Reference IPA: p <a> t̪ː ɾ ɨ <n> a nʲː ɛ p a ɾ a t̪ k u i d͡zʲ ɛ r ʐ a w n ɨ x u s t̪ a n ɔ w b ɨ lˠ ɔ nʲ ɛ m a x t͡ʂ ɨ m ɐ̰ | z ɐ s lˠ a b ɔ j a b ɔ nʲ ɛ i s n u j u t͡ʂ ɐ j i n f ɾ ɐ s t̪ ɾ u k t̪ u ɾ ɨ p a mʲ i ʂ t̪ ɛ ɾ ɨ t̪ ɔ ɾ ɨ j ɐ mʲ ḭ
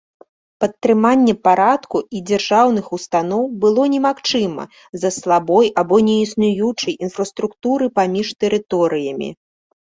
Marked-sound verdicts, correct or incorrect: incorrect, incorrect

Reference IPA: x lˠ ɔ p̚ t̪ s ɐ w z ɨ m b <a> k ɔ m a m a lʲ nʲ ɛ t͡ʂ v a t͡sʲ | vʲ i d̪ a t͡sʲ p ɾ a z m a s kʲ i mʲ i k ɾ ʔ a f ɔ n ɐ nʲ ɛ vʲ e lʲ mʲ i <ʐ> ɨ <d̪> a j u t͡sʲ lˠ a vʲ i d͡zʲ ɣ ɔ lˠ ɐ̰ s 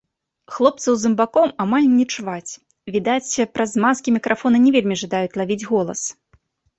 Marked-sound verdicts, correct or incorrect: correct, correct, correct

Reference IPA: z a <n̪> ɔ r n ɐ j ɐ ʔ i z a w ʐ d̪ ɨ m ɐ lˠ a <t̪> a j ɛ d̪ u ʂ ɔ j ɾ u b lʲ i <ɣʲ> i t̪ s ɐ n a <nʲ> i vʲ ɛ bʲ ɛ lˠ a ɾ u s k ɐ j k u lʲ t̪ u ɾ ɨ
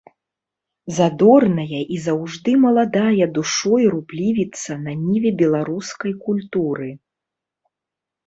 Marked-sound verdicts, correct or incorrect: incorrect, incorrect, incorrect, correct

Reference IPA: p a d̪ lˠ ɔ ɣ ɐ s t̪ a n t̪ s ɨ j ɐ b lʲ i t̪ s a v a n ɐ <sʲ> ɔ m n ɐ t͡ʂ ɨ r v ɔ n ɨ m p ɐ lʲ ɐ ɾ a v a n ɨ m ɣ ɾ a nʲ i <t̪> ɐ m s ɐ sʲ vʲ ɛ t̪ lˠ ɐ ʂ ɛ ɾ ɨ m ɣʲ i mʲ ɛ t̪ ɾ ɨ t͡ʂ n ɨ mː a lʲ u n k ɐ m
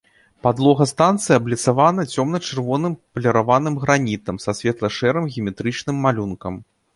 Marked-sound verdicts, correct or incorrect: incorrect, correct

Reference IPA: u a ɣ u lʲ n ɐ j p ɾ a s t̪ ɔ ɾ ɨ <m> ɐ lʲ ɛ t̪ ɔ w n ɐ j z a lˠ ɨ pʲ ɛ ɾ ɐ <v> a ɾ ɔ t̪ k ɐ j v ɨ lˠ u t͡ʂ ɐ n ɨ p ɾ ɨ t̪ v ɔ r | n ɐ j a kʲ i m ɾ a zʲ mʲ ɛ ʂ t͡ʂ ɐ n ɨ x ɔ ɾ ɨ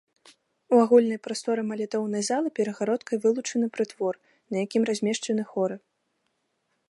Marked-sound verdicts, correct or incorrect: correct, incorrect

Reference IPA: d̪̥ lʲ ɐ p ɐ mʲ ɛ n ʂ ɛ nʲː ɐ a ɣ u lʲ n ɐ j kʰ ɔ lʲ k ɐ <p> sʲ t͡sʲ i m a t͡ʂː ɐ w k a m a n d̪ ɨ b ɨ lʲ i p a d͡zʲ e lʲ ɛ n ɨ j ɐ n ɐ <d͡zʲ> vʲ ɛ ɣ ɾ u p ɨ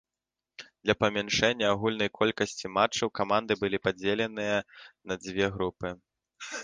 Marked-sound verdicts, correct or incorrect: incorrect, correct

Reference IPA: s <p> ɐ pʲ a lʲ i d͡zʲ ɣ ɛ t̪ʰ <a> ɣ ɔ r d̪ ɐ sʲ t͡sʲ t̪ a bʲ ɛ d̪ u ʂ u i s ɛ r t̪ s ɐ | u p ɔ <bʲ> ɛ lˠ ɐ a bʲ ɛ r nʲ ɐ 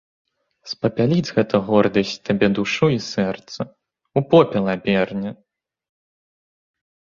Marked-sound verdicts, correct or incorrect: correct, incorrect, incorrect

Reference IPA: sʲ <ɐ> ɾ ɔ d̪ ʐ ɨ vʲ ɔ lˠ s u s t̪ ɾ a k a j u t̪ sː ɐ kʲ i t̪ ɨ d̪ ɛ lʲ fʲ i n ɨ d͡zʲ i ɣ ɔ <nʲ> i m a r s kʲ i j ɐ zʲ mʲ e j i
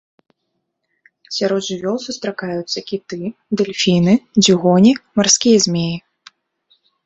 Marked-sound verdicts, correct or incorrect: incorrect, correct

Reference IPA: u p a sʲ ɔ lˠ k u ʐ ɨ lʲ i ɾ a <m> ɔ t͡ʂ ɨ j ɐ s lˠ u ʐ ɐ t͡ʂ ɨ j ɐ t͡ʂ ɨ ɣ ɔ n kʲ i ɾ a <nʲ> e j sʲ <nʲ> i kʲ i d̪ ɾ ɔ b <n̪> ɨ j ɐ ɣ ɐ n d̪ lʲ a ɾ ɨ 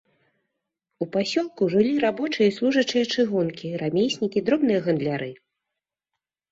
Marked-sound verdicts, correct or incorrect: incorrect, incorrect, correct, correct

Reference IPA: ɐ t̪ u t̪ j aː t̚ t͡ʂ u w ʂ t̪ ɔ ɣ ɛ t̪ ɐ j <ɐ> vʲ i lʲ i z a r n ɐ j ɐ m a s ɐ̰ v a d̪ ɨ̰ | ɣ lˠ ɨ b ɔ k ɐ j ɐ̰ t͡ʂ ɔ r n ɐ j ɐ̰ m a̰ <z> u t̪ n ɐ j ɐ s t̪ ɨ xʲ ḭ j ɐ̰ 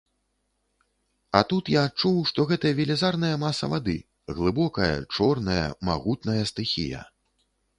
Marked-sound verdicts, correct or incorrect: correct, incorrect

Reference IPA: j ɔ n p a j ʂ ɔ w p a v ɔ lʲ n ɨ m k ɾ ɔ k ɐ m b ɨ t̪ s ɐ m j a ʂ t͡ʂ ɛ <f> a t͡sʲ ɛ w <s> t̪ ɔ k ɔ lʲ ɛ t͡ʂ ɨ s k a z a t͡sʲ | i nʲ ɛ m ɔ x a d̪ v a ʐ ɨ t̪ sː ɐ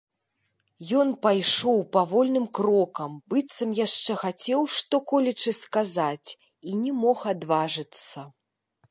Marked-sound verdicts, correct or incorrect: incorrect, incorrect

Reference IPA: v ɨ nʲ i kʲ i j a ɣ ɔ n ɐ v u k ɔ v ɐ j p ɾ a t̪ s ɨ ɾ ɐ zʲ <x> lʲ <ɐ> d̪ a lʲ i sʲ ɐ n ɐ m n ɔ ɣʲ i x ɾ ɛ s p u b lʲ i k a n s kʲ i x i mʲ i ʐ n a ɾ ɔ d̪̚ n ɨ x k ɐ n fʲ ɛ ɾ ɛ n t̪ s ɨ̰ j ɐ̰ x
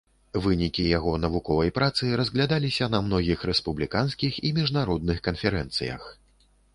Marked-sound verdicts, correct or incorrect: incorrect, incorrect

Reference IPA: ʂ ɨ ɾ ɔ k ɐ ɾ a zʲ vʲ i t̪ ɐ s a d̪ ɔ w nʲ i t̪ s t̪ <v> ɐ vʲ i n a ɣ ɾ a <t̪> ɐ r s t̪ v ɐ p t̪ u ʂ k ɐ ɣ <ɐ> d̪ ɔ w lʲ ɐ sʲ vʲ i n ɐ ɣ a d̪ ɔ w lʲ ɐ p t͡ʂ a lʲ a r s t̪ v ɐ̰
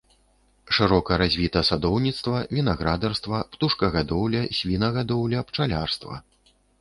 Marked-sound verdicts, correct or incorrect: correct, incorrect, incorrect

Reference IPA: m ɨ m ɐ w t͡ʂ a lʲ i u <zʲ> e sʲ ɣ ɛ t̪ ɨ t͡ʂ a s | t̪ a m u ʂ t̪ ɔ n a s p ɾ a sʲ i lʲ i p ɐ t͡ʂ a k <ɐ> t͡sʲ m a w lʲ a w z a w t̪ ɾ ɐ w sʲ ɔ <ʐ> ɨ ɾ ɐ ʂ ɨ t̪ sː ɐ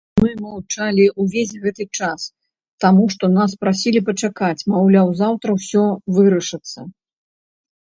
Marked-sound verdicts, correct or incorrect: incorrect, incorrect, incorrect

